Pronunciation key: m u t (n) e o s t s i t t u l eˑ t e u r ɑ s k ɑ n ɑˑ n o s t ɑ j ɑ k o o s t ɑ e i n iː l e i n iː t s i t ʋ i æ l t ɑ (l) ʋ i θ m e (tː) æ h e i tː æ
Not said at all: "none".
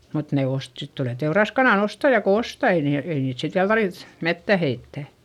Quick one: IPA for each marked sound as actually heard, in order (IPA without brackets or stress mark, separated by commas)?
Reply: n, r, tː